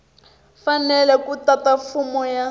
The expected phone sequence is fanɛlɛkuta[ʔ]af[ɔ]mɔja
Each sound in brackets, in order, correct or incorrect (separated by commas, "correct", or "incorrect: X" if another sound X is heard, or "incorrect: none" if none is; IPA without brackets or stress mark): incorrect: t, incorrect: u